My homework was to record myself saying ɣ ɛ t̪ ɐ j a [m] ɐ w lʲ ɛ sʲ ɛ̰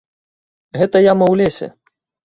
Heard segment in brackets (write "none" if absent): m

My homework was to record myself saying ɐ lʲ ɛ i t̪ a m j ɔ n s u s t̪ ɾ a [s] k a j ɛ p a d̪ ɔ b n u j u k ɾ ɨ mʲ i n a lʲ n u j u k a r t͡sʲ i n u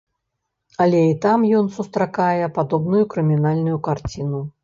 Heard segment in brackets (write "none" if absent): none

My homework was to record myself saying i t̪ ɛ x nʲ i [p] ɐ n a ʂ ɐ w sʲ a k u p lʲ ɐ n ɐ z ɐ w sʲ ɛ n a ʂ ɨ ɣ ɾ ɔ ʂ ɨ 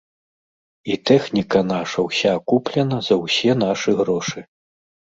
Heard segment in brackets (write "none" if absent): k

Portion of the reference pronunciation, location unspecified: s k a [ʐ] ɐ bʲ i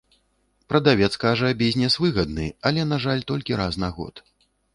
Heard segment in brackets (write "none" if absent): ʐ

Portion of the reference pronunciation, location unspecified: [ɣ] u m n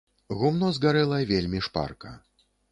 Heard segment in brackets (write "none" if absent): ɣ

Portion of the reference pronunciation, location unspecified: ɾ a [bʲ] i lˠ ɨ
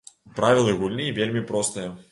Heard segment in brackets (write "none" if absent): vʲ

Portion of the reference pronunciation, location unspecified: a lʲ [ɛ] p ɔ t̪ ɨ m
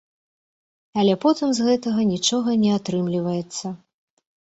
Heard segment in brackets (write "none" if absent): ɛ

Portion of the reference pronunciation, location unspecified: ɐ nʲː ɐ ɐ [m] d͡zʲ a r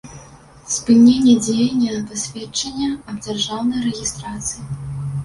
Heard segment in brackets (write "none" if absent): b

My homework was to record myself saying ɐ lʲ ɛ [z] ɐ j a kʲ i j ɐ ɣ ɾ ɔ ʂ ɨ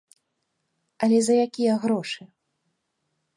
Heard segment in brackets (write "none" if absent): z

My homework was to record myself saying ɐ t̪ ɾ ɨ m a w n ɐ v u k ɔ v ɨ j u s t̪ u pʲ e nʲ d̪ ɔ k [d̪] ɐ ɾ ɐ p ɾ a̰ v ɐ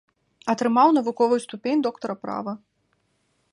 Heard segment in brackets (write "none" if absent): t̪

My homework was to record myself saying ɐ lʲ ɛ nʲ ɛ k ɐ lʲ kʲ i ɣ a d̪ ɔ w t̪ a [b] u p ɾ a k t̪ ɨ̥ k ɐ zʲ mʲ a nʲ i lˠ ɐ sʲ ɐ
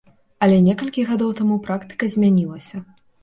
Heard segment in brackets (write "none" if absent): m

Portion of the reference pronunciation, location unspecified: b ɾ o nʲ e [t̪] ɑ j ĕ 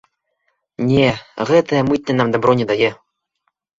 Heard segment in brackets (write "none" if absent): d̪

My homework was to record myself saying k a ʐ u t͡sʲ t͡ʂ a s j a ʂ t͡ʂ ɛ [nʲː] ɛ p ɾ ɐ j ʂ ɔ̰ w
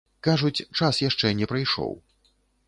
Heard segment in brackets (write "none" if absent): nʲ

